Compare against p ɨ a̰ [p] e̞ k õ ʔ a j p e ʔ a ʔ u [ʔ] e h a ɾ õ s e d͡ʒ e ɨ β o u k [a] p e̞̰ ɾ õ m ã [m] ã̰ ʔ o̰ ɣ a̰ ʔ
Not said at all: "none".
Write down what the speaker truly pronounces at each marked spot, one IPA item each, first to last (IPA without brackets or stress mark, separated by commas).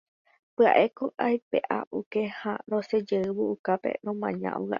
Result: ʔ, k, a, ɲ